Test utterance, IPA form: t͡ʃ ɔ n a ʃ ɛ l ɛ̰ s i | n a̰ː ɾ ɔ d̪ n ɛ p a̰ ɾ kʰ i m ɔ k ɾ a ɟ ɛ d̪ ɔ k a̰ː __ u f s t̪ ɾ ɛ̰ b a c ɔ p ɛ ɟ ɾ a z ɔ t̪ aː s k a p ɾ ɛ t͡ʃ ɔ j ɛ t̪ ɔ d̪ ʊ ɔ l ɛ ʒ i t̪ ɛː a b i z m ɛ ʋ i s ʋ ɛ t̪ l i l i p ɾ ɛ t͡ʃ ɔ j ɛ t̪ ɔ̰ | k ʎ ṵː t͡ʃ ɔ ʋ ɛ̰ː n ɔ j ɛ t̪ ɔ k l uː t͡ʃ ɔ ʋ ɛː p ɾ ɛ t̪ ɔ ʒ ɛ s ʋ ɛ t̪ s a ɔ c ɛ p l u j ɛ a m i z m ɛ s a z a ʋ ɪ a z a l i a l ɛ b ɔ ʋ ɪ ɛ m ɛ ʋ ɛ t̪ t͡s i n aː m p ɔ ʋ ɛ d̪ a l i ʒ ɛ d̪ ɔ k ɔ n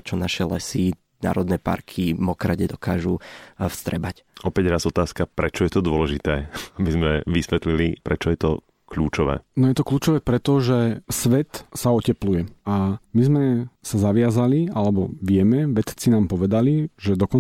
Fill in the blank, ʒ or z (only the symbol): ʒ